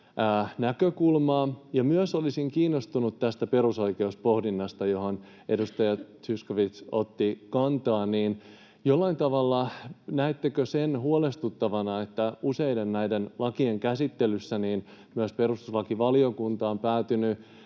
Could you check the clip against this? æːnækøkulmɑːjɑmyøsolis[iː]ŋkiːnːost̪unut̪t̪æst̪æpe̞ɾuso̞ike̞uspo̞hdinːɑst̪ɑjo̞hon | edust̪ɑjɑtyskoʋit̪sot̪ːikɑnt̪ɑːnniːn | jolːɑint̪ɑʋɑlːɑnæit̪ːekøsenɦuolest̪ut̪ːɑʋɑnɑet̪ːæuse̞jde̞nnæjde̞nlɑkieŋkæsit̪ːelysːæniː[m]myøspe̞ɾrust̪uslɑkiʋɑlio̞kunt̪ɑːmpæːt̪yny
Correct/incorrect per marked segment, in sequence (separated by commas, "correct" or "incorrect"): incorrect, incorrect